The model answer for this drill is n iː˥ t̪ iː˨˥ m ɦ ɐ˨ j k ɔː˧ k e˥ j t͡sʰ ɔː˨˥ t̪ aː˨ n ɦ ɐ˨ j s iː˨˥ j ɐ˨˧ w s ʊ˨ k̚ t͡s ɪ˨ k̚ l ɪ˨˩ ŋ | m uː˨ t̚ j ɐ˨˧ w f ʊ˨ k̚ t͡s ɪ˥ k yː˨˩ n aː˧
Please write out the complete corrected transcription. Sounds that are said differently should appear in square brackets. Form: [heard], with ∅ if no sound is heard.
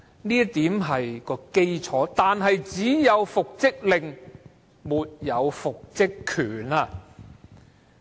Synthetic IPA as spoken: n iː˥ t̪ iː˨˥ m ɦ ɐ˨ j k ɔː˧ k e˥ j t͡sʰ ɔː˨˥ t̪ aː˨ n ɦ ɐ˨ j [t͡s] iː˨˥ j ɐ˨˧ w [f] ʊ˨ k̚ t͡s [ɪ˥] k̚ l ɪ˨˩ ŋ | m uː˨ t̚ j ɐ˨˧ w f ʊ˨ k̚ t͡s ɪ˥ [kʰ] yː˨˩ n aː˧